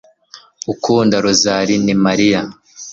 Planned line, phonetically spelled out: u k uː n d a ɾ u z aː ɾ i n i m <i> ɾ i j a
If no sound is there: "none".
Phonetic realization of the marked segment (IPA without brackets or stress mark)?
a